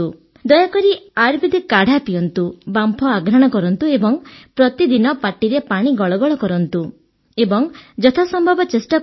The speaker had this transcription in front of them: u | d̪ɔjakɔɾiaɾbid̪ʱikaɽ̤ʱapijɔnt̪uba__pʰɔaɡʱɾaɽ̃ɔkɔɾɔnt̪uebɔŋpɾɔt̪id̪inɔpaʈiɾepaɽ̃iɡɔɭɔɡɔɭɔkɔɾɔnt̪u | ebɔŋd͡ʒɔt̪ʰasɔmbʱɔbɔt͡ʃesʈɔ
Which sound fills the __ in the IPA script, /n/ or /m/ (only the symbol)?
m